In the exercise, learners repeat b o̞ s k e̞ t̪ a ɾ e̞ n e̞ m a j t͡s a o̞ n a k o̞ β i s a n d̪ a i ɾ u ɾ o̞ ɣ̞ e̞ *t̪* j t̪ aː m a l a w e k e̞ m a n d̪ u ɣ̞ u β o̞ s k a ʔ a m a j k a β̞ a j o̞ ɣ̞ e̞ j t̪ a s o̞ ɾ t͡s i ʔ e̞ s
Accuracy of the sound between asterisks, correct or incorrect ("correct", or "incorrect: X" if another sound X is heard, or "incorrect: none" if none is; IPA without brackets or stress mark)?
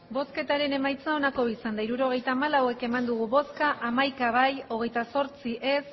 incorrect: none